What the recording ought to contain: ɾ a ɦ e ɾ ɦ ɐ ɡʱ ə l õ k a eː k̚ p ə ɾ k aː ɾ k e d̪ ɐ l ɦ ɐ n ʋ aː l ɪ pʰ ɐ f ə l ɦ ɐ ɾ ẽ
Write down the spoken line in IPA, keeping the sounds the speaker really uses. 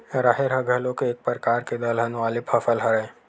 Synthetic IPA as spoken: ɾ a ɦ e ɾ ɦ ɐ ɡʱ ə l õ k e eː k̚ p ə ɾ k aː ɾ k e d̪ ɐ l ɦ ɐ n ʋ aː l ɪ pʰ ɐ f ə l ɦ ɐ ɾ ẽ